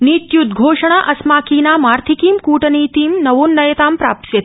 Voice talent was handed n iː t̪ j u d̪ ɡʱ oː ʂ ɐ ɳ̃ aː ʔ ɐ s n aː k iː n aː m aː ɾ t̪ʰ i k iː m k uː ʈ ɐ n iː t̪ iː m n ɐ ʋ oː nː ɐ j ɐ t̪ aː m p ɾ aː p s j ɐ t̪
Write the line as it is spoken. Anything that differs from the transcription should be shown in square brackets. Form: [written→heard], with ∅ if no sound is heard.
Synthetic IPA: n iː t̪ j u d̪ ɡʱ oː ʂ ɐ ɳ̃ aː ʔ ɐ s [n→m] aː k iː n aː m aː ɾ t̪ʰ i k iː m k uː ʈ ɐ n iː t̪ iː m n ɐ ʋ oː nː ɐ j ɐ t̪ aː m p ɾ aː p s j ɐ t̪